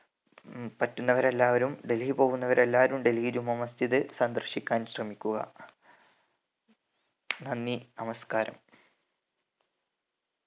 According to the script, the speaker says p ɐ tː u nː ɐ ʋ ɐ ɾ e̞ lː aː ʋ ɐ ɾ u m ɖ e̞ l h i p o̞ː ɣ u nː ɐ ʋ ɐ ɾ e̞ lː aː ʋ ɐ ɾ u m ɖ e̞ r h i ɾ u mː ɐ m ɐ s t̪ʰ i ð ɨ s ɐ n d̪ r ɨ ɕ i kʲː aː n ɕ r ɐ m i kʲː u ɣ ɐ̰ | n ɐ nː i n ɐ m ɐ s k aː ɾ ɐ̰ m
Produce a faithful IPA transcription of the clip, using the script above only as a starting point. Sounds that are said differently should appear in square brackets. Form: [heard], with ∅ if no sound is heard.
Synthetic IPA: p ɐ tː u nː ɐ ʋ ɐ ɾ e̞ lː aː ʋ ɐ ɾ u m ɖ e̞ l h i p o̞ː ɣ u nː ɐ ʋ ɐ ɾ e̞ lː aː ʋ ɐ ɾ u m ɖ e̞ [l] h i ɾ u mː ɐ m ɐ s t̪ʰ i ð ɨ s ɐ n d̪ r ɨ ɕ i kʲː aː n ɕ r ɐ m i kʲː u ɣ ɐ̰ | n ɐ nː i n ɐ m ɐ s k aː ɾ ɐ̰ m